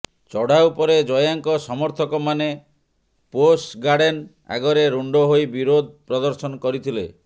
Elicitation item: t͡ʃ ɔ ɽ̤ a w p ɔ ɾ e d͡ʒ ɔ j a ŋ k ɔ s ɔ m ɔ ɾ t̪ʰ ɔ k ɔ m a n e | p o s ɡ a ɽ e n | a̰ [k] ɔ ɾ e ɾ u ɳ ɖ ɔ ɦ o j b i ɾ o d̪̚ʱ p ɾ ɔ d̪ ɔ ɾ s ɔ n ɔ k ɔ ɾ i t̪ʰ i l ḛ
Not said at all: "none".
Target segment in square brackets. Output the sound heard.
ɡ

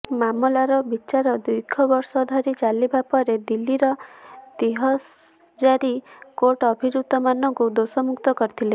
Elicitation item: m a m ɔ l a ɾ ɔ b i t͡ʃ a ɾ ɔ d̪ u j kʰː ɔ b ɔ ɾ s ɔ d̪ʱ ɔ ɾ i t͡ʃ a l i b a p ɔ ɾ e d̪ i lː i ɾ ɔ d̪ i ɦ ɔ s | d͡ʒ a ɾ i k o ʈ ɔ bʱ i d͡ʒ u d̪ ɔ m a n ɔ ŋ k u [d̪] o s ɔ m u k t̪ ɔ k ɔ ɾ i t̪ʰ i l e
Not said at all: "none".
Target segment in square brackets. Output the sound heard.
d̪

